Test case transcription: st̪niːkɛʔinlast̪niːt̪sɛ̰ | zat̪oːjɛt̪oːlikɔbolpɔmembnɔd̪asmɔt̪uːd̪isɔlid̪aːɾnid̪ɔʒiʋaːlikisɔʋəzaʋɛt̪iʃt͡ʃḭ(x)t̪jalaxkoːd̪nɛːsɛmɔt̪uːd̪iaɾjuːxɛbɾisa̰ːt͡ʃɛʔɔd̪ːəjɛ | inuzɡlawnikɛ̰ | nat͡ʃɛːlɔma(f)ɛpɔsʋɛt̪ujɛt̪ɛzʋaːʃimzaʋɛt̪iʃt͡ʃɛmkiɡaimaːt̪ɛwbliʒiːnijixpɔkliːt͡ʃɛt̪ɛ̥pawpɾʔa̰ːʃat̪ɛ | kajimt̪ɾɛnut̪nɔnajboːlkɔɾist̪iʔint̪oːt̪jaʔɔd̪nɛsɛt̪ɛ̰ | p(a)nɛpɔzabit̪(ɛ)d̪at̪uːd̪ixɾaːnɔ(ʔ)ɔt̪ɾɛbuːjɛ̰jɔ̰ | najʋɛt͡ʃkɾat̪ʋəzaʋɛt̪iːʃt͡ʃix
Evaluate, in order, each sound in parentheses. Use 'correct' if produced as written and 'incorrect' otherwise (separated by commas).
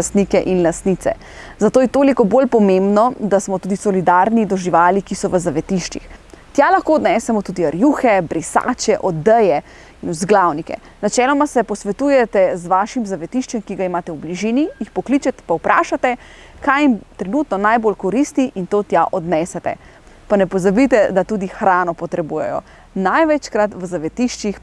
correct, incorrect, correct, correct, incorrect